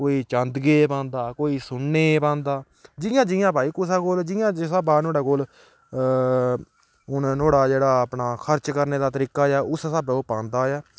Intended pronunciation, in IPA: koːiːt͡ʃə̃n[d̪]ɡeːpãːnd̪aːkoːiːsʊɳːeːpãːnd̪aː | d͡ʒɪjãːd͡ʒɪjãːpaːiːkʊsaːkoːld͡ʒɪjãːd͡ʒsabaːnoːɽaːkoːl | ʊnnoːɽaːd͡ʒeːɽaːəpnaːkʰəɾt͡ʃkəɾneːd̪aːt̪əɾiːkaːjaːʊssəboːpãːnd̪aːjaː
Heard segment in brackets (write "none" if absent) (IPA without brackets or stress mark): d̪